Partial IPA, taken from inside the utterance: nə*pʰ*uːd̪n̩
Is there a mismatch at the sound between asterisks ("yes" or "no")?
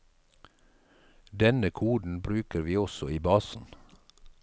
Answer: yes